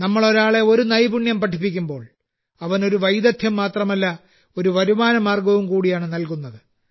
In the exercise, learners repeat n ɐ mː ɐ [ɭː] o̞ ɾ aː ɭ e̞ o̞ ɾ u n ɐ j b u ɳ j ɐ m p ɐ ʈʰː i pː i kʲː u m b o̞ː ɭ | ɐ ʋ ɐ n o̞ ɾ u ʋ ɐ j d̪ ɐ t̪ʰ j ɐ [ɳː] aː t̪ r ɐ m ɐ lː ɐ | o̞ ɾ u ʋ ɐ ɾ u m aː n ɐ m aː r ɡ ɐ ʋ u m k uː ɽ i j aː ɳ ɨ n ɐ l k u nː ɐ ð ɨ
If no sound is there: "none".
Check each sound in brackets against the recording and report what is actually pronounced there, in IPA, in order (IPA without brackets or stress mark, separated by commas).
ɭ, mː